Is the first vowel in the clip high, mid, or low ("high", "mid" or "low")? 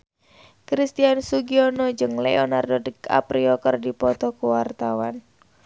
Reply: high